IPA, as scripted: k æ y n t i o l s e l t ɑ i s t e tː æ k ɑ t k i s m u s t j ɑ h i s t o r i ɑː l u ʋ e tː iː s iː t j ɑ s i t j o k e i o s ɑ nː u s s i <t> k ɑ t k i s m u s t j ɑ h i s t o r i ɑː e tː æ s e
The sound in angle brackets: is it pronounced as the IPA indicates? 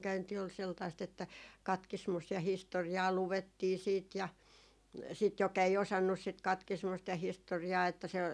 yes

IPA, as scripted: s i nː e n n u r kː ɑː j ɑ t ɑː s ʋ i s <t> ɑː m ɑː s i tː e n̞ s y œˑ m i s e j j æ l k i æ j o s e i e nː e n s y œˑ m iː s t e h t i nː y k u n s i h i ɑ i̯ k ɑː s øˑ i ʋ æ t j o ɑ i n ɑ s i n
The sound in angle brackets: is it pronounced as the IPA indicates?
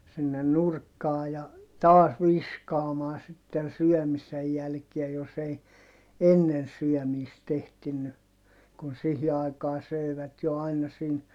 no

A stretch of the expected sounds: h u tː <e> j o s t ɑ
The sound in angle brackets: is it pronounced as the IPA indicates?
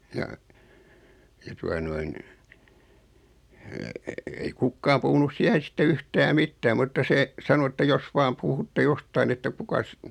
yes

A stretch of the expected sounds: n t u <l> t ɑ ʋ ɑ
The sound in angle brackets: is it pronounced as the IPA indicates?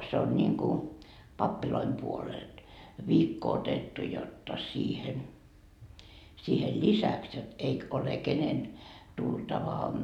yes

